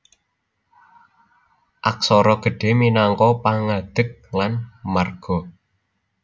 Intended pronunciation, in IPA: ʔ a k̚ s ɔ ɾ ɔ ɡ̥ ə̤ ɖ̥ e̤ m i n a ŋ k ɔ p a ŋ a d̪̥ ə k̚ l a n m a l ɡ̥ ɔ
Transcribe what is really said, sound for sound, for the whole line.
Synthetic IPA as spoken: ʔ a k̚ s ɔ ɾ ɔ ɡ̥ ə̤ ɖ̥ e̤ m i n a ŋ k ɔ p a ŋ a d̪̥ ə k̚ l a n m a r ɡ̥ ɔ